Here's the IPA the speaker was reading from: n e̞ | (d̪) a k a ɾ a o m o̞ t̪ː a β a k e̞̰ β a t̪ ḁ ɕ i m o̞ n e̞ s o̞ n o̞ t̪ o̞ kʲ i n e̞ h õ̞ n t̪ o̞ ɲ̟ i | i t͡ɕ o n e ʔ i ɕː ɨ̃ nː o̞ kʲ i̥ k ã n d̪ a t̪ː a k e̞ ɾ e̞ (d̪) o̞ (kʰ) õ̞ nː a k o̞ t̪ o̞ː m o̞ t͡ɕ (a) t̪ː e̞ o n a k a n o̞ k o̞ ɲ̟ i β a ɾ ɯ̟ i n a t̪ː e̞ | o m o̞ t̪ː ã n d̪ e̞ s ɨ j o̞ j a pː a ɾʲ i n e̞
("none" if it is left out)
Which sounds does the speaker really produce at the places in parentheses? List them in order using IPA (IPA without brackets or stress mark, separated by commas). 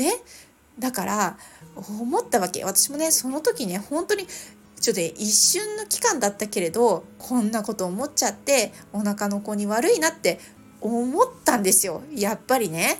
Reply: d̪, d̪, kʰ, a